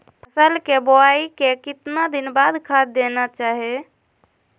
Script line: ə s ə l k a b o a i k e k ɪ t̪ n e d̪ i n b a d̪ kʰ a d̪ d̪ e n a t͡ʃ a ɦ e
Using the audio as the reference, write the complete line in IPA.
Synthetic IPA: ə s ə l k e b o a i k e k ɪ t̪ n a d̪ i n b a d̪ kʰ a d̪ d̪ e n a t͡ʃ a ɦ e